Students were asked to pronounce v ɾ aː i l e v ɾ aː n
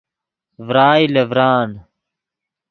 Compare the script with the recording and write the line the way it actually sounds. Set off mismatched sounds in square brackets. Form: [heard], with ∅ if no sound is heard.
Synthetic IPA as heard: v ɾ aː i l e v ɾ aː n

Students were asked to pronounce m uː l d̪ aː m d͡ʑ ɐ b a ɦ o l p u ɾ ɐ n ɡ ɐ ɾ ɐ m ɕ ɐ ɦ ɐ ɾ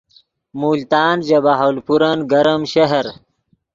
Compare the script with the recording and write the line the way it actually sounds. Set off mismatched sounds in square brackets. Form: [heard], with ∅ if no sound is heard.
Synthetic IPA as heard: m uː l [t̪] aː [n] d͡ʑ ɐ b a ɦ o l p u ɾ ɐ n ɡ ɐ ɾ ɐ m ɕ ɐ ɦ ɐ ɾ

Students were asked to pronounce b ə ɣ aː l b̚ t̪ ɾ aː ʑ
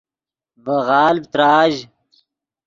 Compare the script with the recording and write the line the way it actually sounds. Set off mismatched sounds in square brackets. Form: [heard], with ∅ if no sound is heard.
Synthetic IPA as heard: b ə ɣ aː l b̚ t̪ ɾ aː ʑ

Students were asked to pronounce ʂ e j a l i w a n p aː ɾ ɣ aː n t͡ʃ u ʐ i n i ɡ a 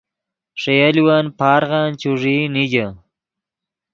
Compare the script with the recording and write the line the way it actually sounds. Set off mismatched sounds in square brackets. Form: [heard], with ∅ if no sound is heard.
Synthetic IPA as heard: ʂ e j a l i w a n p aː ɾ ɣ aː n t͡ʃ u ʐ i n i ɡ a

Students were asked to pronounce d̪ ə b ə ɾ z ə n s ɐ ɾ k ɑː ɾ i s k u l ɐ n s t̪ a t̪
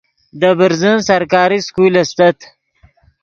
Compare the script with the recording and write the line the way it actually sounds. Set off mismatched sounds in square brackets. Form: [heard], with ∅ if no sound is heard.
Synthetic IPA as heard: d̪ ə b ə ɾ z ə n s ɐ ɾ k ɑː ɾ i s k u l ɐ [∅] s t̪ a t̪

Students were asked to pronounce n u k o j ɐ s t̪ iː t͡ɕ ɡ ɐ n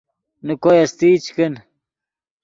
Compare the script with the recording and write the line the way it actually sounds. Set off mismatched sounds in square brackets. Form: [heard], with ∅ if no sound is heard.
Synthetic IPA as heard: n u k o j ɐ s t̪ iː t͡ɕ [k] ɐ n

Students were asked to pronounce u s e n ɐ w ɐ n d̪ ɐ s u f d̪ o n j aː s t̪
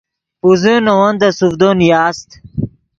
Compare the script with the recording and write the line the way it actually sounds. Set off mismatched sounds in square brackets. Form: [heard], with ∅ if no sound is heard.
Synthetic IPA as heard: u [z] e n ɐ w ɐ n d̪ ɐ s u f d̪ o n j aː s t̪

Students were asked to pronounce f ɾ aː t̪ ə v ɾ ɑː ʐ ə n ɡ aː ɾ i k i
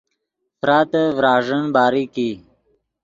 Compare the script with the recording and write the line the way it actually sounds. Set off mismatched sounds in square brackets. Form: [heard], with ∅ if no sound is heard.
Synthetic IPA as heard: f ɾ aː t̪ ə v ɾ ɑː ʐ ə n [b] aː ɾ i k i

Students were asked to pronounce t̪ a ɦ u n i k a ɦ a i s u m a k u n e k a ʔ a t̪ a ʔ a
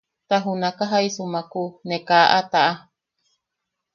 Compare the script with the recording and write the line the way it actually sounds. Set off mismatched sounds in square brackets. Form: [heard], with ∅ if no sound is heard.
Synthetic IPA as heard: t̪ a ɦ u n [a] k a ɦ a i s u m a k u n e k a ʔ a t̪ a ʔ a

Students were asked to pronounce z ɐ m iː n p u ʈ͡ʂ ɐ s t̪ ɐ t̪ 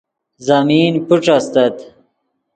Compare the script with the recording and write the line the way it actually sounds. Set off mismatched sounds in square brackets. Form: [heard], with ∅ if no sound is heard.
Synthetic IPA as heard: z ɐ m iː n p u ʈ͡ʂ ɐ s t̪ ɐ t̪

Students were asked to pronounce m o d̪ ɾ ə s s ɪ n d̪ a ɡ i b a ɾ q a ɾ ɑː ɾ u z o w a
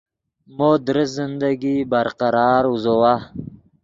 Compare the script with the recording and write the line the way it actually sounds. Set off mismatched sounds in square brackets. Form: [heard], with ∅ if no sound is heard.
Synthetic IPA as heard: m o d̪ ɾ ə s [z] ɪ n d̪ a ɡ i b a ɾ q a ɾ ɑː ɾ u z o w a

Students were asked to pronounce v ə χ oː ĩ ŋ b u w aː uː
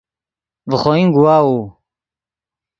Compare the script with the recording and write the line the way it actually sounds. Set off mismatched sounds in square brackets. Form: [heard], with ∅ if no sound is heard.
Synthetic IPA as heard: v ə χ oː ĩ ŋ [ɡ] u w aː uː

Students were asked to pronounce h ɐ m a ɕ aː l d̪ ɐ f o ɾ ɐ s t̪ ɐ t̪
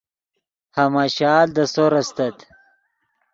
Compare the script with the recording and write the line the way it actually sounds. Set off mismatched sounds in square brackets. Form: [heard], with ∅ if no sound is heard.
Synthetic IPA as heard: h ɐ m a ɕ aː l d̪ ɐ [s] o ɾ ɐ s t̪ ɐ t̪

